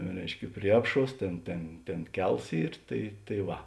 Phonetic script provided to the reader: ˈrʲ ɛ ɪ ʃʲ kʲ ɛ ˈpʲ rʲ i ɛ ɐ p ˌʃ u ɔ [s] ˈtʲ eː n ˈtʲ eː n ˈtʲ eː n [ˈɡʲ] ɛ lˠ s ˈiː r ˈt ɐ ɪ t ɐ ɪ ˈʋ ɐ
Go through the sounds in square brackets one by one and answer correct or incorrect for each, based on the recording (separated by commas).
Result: correct, incorrect